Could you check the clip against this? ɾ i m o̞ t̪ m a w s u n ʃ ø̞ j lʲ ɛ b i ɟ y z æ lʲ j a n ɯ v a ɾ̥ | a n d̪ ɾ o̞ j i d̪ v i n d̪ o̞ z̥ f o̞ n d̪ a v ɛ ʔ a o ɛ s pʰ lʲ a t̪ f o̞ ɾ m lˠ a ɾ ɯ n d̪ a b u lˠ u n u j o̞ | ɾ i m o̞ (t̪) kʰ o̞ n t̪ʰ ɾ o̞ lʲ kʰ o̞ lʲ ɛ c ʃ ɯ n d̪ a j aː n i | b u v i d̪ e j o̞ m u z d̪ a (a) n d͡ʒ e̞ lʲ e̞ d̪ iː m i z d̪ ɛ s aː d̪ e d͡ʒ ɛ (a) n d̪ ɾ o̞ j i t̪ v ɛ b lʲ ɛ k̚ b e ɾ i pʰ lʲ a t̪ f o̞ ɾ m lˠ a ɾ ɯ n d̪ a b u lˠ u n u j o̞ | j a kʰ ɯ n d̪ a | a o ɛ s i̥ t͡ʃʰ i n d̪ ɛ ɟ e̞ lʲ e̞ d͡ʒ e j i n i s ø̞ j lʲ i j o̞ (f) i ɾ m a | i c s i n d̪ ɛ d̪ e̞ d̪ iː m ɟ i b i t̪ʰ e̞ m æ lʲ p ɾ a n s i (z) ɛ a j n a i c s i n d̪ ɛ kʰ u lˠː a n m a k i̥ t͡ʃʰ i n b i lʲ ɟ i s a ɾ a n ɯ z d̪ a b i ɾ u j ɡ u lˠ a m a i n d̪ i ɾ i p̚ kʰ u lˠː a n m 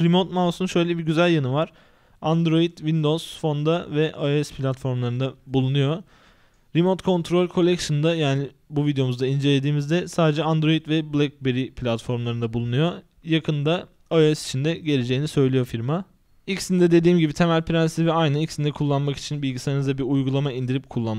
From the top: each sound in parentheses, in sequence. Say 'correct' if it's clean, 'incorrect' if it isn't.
correct, incorrect, correct, correct, incorrect

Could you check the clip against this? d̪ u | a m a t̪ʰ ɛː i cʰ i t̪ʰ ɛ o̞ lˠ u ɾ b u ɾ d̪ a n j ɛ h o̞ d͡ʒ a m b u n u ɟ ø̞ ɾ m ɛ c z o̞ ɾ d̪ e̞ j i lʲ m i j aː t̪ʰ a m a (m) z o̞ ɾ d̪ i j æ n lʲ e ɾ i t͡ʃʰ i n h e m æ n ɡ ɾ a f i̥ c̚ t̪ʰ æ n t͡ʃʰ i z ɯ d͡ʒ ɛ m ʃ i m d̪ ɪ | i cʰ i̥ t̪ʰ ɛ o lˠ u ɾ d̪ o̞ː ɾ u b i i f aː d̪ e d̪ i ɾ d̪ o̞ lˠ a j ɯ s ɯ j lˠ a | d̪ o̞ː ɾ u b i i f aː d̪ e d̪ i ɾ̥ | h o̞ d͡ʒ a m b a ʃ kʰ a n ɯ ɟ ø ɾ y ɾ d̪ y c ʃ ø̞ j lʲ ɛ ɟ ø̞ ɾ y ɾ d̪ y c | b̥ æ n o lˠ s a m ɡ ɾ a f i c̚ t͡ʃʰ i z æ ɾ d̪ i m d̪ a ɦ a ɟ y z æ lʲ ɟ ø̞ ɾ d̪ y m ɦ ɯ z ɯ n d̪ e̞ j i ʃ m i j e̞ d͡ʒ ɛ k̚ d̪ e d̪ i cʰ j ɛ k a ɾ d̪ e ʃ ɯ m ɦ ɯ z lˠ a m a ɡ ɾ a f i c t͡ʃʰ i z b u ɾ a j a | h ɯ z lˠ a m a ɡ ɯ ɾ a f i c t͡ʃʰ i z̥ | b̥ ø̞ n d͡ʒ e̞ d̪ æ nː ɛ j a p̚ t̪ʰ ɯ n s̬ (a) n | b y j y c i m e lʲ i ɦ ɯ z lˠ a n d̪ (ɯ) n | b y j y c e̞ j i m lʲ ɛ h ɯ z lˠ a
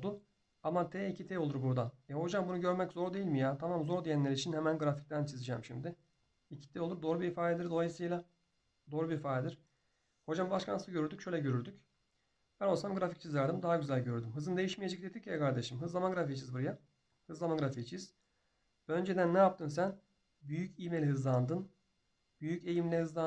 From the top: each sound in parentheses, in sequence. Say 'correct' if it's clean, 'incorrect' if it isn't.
correct, incorrect, correct

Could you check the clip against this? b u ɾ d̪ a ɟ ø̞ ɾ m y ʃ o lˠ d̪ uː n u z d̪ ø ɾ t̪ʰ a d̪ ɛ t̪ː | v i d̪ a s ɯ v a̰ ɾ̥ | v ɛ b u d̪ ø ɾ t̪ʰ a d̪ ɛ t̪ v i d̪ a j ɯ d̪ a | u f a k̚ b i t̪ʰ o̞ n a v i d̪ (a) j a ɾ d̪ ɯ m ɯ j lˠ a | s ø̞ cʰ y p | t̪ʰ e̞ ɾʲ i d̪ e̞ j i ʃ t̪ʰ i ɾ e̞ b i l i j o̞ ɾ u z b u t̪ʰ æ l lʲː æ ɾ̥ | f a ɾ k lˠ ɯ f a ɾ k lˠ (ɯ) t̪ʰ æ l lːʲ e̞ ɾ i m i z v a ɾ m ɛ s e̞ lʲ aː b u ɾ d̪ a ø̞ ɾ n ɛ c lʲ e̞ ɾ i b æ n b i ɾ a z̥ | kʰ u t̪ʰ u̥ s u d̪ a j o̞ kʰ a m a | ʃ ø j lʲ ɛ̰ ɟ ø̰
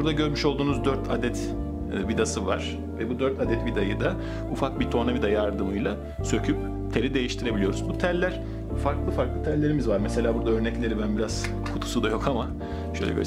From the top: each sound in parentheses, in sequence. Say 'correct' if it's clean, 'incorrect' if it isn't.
correct, correct

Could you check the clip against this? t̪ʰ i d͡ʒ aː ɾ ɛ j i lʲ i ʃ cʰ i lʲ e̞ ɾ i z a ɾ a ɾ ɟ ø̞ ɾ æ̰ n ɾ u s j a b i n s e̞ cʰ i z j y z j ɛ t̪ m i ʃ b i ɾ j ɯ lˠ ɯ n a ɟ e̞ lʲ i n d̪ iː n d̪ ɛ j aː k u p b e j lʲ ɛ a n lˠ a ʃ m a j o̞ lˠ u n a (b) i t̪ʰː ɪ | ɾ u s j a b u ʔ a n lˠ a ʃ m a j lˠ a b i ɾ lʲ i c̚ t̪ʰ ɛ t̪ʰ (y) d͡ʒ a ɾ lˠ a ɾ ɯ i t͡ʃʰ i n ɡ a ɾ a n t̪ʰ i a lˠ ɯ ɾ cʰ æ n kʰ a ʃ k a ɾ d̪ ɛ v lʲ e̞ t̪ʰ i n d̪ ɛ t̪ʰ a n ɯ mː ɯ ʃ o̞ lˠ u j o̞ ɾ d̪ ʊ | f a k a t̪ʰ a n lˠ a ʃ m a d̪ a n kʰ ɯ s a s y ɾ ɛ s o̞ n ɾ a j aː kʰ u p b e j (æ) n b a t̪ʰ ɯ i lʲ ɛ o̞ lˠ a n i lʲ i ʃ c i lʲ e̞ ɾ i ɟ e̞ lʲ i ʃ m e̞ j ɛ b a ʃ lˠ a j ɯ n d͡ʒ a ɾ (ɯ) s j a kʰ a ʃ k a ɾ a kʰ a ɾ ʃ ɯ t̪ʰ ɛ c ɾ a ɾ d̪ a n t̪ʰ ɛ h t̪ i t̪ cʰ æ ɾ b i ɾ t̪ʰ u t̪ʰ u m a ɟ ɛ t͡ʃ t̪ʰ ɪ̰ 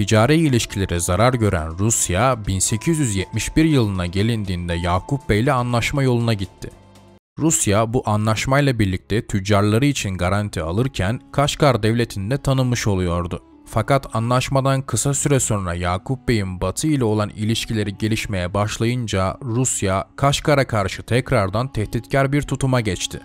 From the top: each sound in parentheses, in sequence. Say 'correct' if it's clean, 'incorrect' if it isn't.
incorrect, correct, incorrect, incorrect

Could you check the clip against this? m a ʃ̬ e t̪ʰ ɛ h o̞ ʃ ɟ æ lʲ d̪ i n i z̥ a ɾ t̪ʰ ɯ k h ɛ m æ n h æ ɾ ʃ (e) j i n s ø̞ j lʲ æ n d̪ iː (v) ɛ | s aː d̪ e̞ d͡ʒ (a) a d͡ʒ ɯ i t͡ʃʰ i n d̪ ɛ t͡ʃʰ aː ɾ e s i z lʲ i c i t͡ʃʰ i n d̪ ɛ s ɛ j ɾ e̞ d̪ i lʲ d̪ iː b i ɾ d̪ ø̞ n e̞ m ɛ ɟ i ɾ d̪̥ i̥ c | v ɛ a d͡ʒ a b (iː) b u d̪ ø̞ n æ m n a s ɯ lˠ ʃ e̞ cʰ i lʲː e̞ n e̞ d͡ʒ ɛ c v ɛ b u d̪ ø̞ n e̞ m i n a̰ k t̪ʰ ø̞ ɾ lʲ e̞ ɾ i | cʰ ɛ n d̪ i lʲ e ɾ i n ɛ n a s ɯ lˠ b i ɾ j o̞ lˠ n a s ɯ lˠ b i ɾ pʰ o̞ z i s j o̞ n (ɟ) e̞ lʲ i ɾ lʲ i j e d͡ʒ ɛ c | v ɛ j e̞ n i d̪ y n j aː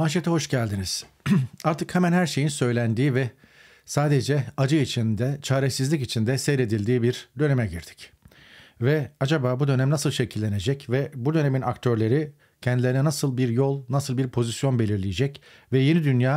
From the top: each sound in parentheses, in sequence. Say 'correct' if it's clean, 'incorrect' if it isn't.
correct, correct, incorrect, incorrect, incorrect

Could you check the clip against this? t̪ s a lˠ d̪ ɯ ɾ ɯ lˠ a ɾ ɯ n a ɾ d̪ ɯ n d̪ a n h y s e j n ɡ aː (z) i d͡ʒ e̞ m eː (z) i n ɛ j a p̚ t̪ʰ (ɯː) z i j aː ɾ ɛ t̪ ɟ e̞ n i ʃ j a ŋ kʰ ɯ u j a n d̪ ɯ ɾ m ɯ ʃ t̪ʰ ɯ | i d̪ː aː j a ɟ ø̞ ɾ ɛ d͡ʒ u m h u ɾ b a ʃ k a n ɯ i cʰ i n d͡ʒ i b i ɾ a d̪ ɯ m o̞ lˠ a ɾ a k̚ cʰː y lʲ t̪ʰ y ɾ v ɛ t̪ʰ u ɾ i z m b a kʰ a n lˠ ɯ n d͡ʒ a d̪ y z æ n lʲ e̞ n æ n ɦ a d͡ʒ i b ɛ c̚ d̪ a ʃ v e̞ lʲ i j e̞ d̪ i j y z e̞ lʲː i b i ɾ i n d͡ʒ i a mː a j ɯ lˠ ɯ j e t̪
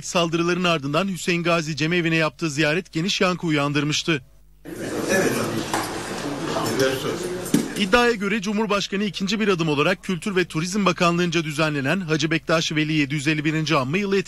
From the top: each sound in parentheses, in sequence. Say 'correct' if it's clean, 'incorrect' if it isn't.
correct, incorrect, correct

